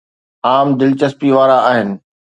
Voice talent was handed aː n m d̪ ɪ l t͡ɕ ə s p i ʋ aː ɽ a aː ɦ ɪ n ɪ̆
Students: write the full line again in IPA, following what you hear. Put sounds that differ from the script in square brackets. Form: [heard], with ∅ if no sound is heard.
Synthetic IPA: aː [∅] m d̪ ɪ l t͡ɕ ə s p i ʋ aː [ɾ] a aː ɦ ɪ n ɪ̆

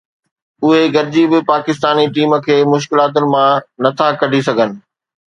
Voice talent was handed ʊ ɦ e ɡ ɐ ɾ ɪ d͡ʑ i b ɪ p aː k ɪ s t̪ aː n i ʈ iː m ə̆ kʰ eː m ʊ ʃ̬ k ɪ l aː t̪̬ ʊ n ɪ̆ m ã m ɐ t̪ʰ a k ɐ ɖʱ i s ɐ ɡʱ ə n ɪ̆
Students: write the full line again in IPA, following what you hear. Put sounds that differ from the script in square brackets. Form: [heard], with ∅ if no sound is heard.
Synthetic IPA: ʊ ɦ e ɡ ɐ ɾ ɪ d͡ʑ i b ɪ p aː k ɪ s t̪ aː n i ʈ iː m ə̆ kʰ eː m ʊ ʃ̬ k ɪ l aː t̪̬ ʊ n ɪ̆ m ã [n] ɐ t̪ʰ a k ɐ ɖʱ i s ɐ ɡʱ ə n ɪ̆

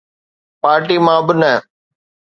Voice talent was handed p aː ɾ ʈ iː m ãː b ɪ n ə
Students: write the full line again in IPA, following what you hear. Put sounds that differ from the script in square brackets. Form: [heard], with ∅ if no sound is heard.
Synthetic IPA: p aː ɾ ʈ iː m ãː b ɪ n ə

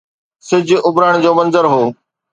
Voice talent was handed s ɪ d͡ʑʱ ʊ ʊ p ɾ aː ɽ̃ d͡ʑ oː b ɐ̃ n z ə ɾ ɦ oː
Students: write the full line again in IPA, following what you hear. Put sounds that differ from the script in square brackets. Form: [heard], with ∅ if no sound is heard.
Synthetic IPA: s ɪ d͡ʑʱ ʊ ʊ [b] ɾ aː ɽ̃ d͡ʑ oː [m] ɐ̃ n z ə ɾ ɦ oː

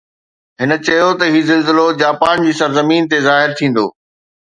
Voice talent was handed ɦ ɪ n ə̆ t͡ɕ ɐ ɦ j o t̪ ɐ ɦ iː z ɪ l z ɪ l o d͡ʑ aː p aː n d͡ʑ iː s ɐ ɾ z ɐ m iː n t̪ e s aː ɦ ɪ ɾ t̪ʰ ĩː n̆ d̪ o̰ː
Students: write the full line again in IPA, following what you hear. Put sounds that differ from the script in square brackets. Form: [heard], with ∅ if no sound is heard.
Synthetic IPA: ɦ ɪ n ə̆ t͡ɕ ɐ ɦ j o t̪ ɐ ɦ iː z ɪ l z ɪ l o d͡ʑ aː p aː n d͡ʑ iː s ɐ ɾ z ɐ m iː n t̪ e [z] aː ɦ ɪ ɾ t̪ʰ ĩː n̆ d̪ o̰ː

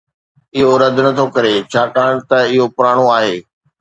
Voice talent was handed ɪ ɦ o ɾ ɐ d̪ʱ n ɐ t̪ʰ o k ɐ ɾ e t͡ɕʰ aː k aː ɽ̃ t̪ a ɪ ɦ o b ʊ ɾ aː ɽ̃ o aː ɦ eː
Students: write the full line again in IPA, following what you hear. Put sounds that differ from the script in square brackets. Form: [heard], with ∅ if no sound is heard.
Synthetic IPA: ɪ ɦ o ɾ ɐ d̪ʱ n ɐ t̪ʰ o k ɐ ɾ e t͡ɕʰ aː k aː ɽ̃ t̪ [ɐ] ɪ ɦ o [p] ʊ ɾ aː ɽ̃ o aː ɦ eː

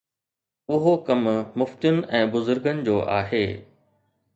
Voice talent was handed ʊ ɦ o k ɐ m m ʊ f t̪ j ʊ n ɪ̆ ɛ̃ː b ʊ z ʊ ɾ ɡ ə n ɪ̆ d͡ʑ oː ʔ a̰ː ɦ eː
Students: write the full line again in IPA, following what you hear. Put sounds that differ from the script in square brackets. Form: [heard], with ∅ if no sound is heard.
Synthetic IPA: ʊ ɦ o k ɐ m m ʊ f t̪ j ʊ n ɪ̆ ɛ̃ː b ʊ z ʊ ɾ ɡ ə n ɪ̆ d͡ʑ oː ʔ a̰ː ɦ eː

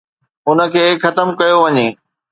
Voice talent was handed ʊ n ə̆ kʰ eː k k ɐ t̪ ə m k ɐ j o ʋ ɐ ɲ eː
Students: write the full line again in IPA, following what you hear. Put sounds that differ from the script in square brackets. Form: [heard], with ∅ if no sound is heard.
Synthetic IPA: ʊ n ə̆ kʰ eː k [x] ɐ t̪ ə m k ɐ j o ʋ ɐ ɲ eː

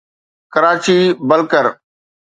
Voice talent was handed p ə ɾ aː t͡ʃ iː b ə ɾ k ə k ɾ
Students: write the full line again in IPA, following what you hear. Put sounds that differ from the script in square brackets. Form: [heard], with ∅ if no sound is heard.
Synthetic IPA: [k] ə ɾ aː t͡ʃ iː b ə [l] k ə [∅] ɾ

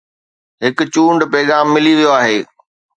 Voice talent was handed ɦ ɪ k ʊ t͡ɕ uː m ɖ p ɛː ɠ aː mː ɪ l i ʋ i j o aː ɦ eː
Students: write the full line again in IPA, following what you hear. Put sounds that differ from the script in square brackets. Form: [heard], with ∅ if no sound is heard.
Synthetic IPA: ɦ ɪ k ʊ t͡ɕ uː [ɳ] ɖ p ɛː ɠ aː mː ɪ l i ʋ i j o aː ɦ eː

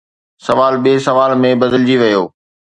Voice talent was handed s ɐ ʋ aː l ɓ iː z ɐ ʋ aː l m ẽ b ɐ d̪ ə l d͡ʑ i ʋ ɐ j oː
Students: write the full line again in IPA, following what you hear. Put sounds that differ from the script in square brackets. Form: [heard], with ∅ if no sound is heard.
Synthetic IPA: s ɐ ʋ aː l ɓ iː [s] ɐ ʋ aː l m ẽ b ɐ d̪ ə l d͡ʑ i ʋ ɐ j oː

